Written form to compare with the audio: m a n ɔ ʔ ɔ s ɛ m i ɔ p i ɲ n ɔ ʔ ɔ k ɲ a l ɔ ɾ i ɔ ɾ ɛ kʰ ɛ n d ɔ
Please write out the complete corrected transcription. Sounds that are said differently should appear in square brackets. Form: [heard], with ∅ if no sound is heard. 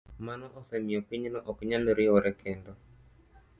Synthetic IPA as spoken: m a n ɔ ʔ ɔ s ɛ m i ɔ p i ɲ n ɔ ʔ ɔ k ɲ a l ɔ ɾ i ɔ ɾ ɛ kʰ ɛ n d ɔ